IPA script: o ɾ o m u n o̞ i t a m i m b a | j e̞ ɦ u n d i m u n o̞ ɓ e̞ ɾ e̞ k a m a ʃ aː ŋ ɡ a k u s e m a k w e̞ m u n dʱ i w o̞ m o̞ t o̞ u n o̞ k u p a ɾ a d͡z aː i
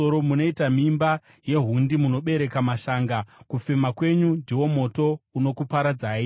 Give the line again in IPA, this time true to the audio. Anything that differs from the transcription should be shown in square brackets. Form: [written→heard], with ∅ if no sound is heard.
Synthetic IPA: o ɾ o m u n o̞ i t a m i m b a | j e̞ ɦ u n d i m u n o̞ ɓ e̞ ɾ e̞ k a m a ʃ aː ŋ ɡ a k u [s→f] e m a k w e̞ [m→ɲ] u n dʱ i w o̞ m o̞ t o̞ u n o̞ k u p a ɾ a d͡z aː i